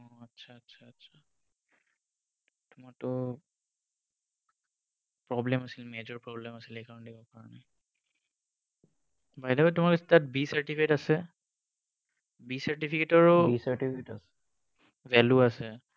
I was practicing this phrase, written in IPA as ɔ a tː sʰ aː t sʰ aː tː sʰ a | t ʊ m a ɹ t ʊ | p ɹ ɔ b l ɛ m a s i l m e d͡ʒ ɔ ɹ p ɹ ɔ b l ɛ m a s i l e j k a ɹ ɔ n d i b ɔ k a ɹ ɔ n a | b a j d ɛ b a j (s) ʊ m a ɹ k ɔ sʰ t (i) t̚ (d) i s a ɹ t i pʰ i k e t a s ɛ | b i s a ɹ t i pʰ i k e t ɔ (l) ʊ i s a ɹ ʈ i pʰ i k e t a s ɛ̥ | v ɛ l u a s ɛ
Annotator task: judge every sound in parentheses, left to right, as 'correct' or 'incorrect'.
incorrect: t, incorrect: a, incorrect: b, incorrect: ɹ

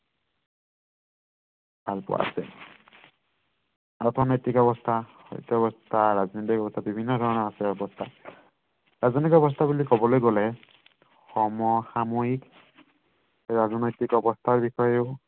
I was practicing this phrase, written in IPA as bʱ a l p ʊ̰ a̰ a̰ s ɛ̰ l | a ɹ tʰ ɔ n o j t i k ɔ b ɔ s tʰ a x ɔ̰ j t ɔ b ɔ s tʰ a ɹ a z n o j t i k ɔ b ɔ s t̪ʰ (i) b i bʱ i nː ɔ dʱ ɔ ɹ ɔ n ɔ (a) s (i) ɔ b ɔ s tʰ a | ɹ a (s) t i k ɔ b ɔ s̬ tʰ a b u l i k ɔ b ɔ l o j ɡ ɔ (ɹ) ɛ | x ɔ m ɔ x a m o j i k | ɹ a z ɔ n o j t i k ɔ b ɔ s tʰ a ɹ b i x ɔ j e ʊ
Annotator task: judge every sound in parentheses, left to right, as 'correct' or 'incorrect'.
incorrect: a, correct, incorrect: ɛ, incorrect: z, incorrect: l

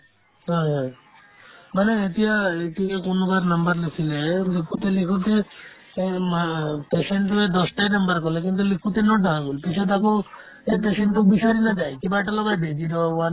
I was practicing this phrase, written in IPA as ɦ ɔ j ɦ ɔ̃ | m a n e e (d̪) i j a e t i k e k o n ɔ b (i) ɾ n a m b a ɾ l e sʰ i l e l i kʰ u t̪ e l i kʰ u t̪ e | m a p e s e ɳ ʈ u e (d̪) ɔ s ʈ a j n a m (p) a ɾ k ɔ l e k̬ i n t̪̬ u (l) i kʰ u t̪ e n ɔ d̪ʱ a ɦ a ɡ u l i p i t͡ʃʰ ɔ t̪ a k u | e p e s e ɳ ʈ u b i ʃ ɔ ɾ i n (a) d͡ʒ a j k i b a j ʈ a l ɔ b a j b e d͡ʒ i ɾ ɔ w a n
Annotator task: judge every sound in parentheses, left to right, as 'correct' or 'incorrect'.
incorrect: t̪, incorrect: a, correct, incorrect: b, correct, correct

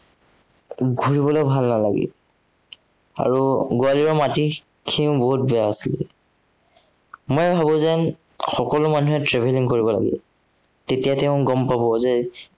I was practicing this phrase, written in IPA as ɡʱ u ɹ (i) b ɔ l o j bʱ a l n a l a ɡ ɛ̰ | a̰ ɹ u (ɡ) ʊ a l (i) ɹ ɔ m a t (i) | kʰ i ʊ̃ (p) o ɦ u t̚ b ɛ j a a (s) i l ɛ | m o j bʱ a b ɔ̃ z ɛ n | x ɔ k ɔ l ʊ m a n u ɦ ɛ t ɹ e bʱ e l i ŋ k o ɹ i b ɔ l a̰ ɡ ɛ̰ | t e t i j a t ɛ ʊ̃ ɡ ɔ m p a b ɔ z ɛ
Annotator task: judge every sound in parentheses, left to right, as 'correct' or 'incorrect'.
correct, correct, correct, correct, incorrect: b, correct

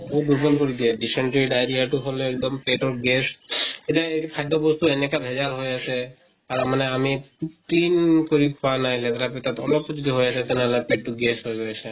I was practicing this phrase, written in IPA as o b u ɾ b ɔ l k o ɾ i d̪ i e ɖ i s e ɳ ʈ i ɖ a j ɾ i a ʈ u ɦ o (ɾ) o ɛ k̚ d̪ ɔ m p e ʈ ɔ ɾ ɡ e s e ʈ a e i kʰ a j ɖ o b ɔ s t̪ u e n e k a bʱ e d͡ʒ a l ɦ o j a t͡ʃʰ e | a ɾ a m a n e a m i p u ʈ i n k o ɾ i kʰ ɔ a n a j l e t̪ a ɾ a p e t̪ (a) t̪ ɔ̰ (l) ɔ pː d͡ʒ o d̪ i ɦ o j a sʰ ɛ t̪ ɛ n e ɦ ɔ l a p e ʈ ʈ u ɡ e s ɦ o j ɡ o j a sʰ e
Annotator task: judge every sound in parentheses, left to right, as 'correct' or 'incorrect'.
incorrect: l, correct, correct

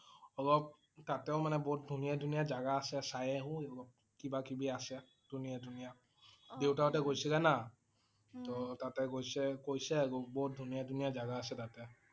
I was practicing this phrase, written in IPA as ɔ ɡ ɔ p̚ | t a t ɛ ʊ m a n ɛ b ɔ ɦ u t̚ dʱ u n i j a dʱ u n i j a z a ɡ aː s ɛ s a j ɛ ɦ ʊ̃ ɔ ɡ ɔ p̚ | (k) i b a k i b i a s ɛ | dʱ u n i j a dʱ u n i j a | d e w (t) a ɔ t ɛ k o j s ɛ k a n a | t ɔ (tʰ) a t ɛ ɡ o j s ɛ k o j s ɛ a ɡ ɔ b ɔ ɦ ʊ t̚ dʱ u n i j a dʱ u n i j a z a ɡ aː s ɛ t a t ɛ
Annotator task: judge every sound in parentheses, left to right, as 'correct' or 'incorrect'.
correct, correct, incorrect: t

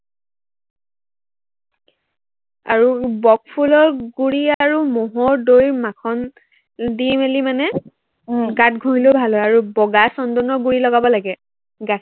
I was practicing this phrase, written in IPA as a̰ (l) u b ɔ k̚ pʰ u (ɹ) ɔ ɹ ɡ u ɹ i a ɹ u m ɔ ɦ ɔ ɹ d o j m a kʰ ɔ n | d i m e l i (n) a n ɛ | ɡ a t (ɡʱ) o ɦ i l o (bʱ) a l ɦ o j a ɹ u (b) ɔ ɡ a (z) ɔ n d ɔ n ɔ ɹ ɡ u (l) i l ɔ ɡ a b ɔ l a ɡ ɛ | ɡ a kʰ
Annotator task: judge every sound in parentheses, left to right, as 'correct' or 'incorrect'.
incorrect: ɹ, incorrect: l, incorrect: m, correct, correct, correct, incorrect: s, incorrect: ɹ

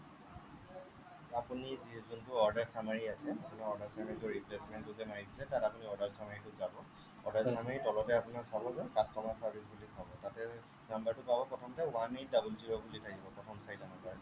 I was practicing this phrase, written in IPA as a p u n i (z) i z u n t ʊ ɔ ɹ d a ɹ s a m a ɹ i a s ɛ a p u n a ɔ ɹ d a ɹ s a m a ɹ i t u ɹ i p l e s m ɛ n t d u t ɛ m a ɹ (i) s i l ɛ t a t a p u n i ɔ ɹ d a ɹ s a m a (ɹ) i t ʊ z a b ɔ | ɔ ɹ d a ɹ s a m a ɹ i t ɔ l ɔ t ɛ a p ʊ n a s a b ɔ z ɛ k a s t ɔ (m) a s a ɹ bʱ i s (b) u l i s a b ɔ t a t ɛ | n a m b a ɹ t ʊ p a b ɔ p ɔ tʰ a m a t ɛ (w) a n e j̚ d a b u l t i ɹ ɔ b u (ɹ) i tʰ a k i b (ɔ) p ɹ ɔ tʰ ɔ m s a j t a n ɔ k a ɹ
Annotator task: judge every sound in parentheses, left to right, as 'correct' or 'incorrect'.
correct, correct, correct, correct, correct, correct, incorrect: l, correct

